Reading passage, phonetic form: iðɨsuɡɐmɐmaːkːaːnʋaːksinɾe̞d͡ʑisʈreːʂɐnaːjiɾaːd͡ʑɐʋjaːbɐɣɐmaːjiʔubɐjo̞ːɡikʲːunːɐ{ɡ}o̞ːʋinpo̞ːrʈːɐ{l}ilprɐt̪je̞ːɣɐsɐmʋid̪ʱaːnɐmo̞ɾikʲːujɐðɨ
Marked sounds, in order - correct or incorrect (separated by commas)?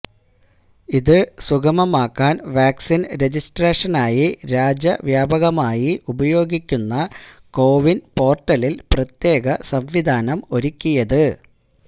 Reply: incorrect, correct